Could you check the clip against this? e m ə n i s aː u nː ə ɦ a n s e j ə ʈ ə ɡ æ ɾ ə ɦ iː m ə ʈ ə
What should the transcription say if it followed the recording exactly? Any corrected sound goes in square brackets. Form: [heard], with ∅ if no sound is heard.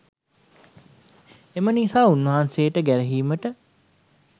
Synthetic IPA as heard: e m ə n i s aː u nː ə ɦ a n s e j ə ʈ ə ɡ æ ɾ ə ɦ iː m ə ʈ ə